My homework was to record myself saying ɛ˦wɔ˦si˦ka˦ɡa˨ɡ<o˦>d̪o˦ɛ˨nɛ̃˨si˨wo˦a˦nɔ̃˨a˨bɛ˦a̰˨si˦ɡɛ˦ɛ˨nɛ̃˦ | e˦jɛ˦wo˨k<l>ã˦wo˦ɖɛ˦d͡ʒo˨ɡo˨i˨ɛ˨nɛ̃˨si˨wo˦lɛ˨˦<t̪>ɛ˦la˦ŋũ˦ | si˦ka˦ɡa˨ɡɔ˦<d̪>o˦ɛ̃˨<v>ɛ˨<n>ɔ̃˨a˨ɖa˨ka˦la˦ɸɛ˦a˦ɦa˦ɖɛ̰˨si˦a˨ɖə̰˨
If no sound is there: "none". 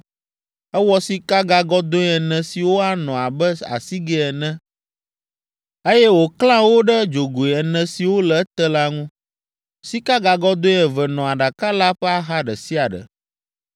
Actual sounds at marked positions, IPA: ɔ˦, l, t̪, d̪, v, n

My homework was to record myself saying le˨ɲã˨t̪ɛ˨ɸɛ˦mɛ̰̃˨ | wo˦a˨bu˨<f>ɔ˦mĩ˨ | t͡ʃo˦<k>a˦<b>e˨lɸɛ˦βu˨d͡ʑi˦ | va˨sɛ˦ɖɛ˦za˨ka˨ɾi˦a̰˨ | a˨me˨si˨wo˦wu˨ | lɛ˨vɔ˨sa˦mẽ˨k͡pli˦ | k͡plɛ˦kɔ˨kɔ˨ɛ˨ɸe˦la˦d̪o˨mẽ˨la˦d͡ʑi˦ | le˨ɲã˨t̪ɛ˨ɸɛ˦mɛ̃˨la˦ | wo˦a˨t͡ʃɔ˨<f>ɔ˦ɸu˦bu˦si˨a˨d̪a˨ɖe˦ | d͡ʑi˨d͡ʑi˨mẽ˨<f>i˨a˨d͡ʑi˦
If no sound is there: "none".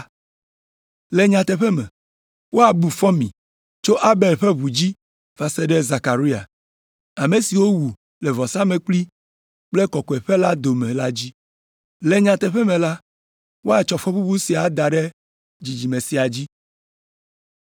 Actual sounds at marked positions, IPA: f, ʔ, b, f, s

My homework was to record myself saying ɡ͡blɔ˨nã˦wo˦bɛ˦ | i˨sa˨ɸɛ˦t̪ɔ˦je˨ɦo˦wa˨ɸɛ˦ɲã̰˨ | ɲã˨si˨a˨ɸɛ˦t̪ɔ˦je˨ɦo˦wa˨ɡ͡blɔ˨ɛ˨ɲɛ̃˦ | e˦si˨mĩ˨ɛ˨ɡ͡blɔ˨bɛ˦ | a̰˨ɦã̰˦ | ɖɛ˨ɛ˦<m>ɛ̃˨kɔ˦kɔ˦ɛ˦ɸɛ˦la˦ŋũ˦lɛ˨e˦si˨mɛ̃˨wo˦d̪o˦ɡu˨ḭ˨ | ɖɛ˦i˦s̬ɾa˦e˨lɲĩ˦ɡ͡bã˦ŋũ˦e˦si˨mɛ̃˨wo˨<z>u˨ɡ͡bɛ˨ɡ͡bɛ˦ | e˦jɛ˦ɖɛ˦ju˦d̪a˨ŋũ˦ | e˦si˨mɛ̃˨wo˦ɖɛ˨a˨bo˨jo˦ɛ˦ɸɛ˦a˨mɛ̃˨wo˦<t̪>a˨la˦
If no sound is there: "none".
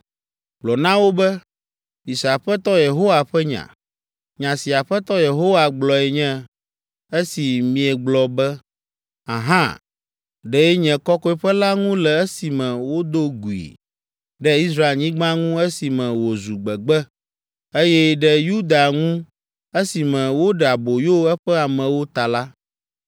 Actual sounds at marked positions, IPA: ɲ, z, t̪

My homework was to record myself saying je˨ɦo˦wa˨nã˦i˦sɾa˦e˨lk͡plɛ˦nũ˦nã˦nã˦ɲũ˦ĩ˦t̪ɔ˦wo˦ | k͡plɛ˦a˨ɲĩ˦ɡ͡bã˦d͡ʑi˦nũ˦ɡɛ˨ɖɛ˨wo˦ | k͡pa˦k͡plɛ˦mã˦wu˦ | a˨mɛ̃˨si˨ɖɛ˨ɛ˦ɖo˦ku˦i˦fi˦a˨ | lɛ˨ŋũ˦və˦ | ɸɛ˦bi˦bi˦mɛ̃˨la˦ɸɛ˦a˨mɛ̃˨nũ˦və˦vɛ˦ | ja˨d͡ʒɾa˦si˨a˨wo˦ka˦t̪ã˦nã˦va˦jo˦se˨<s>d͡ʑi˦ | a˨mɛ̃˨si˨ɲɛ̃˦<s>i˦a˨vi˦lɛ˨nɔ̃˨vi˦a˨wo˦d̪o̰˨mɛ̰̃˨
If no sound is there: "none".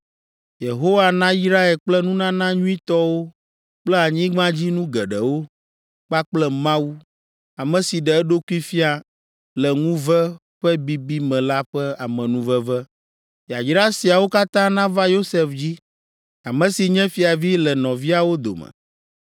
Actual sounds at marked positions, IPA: f, f

